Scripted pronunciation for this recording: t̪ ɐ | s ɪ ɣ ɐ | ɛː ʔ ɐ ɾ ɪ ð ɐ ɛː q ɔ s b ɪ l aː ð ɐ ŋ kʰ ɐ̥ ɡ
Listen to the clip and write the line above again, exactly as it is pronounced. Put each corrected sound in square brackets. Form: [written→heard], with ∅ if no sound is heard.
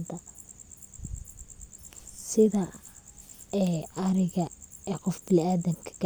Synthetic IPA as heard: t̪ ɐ | s ɪ [ɣ→ð] ɐ | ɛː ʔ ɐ ɾ ɪ [ð→ɣ] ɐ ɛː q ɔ [s→f] b ɪ l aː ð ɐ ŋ kʰ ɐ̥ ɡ